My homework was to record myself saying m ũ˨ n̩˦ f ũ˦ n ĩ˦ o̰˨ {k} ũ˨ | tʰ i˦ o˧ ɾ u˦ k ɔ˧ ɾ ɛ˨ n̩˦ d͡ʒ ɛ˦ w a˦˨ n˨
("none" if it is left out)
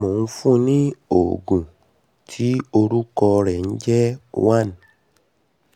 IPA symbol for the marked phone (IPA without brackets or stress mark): ɡ